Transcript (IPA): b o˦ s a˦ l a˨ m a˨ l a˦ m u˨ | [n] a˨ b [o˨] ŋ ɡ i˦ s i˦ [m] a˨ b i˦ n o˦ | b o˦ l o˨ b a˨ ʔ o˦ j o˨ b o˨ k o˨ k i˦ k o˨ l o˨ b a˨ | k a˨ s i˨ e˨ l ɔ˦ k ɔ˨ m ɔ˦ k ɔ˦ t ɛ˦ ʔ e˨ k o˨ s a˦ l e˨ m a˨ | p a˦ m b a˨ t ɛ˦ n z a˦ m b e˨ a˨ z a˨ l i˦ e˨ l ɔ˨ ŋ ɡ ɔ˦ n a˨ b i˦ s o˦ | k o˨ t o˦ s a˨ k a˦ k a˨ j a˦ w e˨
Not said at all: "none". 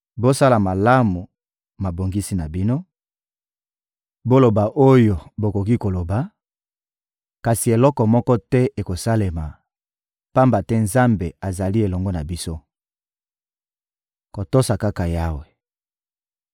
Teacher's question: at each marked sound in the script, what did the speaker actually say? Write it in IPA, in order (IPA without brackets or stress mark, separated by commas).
m, o˨, n